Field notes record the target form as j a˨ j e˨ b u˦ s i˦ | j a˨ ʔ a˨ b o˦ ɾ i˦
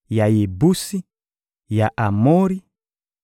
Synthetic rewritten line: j a˨ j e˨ b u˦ s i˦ | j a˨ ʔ a˨ m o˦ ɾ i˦